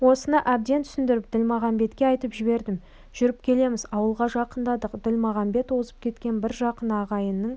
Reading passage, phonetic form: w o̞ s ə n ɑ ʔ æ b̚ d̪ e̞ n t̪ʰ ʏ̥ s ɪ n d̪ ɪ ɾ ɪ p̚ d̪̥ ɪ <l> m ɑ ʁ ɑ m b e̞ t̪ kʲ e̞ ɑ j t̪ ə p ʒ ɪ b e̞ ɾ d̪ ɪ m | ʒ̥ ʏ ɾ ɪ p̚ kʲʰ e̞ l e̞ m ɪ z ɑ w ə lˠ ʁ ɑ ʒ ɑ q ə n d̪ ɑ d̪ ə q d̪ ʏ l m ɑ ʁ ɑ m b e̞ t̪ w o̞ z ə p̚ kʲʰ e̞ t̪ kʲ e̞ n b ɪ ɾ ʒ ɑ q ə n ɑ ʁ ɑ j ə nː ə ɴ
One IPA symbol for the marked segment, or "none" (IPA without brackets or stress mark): l